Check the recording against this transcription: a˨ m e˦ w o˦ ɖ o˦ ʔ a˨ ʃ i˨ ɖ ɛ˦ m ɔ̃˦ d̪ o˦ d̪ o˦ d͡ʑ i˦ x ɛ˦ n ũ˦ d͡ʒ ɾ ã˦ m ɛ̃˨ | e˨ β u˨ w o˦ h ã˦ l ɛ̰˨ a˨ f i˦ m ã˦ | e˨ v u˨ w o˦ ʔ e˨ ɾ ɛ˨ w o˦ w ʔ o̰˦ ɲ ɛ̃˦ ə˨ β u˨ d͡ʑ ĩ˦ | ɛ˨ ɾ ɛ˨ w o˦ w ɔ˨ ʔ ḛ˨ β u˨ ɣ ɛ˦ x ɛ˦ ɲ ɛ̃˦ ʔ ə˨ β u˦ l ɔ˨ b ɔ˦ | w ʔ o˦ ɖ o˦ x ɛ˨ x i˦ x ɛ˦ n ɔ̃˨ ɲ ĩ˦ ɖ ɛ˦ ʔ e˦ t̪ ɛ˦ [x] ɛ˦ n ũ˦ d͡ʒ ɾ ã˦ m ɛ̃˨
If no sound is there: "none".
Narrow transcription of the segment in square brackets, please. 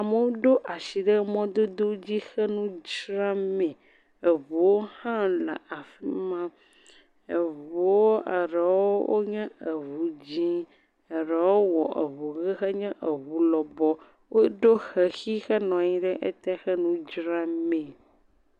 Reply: x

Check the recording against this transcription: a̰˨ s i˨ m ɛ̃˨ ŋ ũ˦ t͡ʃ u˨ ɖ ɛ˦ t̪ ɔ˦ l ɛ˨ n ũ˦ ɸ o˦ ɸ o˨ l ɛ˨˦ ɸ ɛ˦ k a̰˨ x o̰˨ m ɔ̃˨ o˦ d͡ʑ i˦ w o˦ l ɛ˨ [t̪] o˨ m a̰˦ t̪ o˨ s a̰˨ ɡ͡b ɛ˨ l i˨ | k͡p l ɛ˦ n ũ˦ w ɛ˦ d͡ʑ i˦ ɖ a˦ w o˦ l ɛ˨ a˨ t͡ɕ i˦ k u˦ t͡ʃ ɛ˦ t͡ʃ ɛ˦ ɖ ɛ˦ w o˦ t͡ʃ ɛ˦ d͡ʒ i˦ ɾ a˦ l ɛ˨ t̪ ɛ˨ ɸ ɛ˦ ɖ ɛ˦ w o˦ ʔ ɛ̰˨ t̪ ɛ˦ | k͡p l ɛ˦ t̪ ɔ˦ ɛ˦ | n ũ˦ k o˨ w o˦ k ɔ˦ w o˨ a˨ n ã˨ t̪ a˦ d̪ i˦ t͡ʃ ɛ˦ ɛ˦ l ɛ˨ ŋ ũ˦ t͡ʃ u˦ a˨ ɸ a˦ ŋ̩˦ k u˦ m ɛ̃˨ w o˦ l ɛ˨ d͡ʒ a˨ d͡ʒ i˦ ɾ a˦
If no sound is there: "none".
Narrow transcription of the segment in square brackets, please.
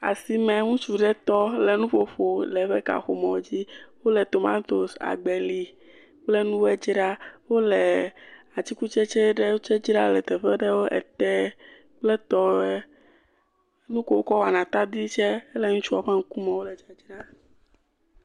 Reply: t̪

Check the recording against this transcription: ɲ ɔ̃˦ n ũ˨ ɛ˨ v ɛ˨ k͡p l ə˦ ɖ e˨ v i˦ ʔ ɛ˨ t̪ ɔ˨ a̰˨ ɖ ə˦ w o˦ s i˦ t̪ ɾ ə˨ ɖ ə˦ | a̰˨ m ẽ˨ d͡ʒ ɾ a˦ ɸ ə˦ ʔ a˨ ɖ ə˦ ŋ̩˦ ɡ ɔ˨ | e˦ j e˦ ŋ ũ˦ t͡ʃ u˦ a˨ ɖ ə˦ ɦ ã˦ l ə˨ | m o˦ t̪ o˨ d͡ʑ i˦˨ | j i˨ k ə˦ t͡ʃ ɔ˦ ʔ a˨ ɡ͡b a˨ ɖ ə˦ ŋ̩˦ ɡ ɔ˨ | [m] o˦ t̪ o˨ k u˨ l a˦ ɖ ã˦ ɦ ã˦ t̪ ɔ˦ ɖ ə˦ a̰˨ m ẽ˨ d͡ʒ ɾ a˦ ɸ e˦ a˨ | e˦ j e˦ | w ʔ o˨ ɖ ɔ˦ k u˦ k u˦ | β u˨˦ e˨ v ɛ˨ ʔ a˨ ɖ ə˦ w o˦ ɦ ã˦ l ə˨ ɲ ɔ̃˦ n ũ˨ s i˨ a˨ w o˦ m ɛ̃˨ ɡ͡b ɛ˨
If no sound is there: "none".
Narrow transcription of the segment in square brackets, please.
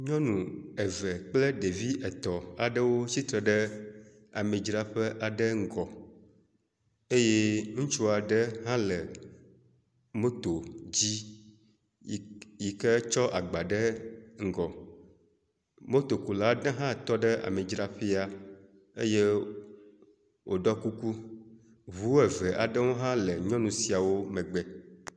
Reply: m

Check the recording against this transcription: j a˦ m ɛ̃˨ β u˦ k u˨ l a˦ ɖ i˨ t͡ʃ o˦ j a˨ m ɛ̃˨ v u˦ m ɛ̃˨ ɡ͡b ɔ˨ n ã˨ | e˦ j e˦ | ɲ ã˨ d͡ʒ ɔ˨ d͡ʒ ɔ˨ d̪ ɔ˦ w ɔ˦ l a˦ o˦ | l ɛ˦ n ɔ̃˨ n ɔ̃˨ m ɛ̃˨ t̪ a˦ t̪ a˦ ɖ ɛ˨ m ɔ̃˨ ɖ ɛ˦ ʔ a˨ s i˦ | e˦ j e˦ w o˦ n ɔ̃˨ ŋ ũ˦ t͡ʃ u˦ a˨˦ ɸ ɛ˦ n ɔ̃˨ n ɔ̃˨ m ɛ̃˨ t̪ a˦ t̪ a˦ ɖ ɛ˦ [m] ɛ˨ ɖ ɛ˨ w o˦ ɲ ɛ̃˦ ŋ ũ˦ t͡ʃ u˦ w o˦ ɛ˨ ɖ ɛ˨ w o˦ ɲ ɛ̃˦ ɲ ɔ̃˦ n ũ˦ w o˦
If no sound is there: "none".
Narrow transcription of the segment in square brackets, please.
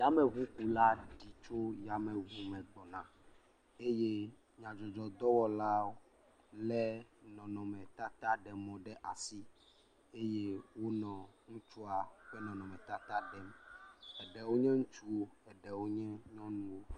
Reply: m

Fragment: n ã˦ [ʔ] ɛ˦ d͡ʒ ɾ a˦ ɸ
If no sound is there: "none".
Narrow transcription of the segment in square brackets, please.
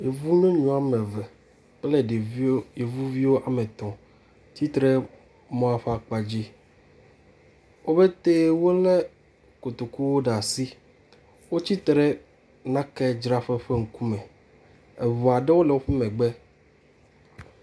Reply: k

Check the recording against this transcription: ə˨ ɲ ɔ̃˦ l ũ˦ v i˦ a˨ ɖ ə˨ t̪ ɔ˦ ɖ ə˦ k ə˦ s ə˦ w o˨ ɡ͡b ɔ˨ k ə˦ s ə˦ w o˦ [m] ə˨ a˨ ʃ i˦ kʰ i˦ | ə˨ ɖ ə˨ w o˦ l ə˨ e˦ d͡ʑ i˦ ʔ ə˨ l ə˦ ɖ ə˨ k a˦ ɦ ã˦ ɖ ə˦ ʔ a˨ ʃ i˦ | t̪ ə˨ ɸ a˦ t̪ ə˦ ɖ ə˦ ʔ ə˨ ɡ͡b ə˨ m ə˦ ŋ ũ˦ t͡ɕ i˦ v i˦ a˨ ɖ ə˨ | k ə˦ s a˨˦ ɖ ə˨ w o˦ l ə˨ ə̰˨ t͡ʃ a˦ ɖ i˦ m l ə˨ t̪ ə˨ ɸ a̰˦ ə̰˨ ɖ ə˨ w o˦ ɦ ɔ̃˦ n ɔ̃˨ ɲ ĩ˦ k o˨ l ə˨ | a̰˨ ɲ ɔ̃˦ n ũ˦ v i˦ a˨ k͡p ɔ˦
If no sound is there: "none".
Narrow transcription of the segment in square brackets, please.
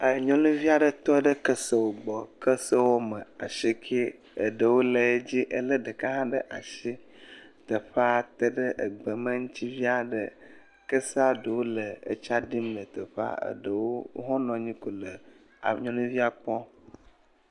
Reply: m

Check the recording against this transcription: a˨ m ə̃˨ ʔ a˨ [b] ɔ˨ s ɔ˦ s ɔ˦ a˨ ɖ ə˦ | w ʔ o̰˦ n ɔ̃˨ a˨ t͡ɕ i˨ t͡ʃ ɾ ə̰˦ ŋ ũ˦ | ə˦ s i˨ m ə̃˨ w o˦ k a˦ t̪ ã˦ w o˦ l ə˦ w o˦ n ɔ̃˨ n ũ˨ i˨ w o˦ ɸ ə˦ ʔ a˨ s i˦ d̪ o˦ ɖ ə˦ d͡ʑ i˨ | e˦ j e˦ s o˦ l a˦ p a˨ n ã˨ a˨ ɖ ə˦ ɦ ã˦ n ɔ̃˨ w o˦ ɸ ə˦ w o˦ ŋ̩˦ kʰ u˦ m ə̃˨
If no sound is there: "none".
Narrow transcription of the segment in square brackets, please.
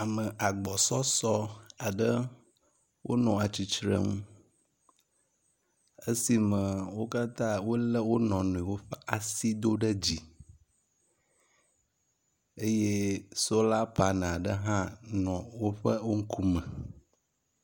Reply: ɡ͡b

